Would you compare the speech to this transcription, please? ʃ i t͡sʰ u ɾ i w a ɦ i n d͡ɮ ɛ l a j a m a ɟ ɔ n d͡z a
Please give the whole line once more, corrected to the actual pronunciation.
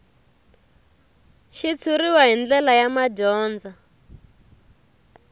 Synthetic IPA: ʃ i t͡sʰ u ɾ i w a ɦ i n d͡ɮ ɛ l a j a m a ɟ ɔː n d͡z a